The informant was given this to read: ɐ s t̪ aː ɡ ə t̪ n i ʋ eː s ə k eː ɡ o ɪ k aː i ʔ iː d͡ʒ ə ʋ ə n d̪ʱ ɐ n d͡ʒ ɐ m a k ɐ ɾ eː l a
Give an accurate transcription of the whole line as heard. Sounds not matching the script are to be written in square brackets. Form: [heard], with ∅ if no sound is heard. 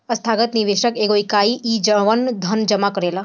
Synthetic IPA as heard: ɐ s [t̪ʰ] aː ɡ ə t̪ n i ʋ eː [ʃ] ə k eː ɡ o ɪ k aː i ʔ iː d͡ʒ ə ʋ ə n d̪ʱ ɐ n d͡ʒ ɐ m a k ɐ ɾ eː l a